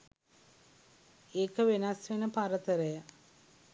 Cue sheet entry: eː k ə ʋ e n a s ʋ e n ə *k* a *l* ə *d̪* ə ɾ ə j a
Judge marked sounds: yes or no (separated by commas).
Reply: no, no, no